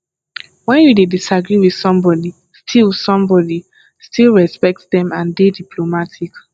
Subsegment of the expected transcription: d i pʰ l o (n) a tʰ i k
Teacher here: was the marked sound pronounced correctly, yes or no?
no